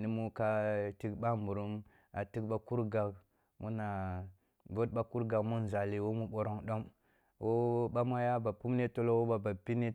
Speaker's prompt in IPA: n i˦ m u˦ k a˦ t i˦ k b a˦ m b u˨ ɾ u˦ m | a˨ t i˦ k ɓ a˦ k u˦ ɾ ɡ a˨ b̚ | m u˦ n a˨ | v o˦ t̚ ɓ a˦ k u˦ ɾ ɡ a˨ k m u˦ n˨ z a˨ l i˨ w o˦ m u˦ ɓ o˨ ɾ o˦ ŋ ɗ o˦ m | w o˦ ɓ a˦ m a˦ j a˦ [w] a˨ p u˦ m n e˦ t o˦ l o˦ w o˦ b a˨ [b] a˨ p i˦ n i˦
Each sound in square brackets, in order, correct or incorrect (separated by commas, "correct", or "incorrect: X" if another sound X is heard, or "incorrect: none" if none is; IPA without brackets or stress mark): incorrect: b, correct